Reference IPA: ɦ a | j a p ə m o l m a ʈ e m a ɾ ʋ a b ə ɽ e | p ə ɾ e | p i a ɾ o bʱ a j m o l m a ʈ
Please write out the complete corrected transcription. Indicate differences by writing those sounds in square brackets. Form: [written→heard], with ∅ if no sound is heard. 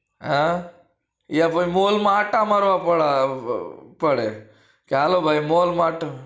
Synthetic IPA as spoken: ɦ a | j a p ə m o l m a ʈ [e→a] m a ɾ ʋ a [b→p] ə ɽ [e→a] | p ə [ɾ→ɽ] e | [p→k] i a [ɾ→l] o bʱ a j m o l m a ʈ